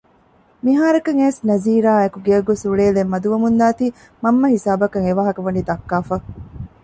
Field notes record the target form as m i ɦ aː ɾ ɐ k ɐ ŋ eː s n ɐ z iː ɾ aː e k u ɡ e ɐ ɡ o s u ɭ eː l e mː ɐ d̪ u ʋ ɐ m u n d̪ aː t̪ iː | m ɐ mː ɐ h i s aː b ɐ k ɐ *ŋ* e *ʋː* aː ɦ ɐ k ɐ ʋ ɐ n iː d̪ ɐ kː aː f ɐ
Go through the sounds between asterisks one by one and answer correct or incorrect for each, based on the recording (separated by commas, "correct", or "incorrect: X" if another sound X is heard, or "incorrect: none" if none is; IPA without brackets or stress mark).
correct, incorrect: ʋ